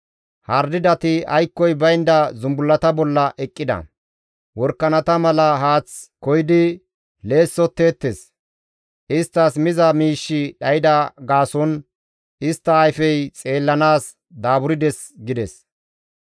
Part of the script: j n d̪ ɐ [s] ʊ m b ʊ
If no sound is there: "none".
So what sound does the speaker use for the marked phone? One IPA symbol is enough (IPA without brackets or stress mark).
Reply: z